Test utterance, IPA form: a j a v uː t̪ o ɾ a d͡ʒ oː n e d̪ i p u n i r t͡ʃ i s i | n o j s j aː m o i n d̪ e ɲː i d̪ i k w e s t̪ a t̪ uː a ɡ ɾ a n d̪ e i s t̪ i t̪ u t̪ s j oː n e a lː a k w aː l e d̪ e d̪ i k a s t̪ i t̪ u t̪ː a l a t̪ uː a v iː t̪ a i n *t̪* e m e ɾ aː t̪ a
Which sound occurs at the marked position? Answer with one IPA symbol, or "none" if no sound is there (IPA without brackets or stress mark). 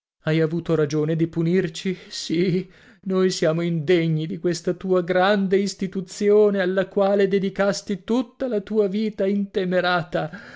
t̪